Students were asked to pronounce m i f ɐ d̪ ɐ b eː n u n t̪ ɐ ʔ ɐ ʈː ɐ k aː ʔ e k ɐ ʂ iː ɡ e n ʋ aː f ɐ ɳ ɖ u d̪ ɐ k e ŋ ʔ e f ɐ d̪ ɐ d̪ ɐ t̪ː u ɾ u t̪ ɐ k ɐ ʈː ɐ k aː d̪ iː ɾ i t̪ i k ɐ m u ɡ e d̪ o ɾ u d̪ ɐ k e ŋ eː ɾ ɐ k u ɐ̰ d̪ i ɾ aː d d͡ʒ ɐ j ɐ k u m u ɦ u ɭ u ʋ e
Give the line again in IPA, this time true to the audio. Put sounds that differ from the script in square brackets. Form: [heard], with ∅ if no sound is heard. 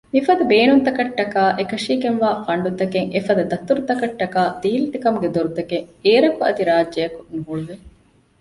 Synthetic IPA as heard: m i f ɐ d̪ ɐ b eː n u n t̪ ɐ [k] ɐ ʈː ɐ k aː ʔ e k ɐ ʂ iː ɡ e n ʋ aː f ɐ ɳ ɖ u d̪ ɐ k e ŋ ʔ e f ɐ d̪ ɐ d̪ ɐ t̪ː u ɾ u t̪ ɐ k ɐ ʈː ɐ k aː d̪ iː [l] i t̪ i k ɐ m u ɡ e d̪ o ɾ u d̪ ɐ k e ŋ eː ɾ ɐ k u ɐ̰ d̪ i ɾ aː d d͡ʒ ɐ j ɐ k u [n] u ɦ u ɭ u ʋ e